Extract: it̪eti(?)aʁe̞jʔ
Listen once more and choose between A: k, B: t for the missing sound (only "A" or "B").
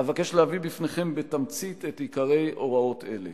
A